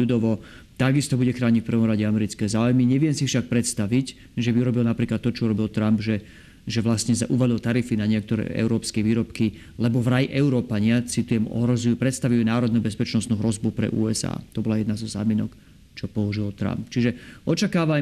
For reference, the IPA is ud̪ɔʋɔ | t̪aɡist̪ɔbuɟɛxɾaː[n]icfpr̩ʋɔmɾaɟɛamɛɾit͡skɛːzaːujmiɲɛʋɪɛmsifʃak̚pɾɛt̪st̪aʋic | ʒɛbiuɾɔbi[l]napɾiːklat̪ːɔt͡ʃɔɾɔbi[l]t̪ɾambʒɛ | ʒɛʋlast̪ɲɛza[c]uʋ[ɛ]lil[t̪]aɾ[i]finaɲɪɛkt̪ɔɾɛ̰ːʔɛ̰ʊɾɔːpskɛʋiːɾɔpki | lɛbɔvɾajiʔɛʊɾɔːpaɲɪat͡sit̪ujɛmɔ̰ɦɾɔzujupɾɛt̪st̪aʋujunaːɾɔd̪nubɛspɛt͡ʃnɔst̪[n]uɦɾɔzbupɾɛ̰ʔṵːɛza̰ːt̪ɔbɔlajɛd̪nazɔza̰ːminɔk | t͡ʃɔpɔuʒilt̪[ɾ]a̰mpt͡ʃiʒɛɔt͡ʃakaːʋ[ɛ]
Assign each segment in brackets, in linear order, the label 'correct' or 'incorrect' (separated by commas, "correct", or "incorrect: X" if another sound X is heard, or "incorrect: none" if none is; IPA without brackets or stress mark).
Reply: incorrect: ɲ, correct, correct, incorrect: ʔ, incorrect: a, correct, correct, correct, correct, incorrect: a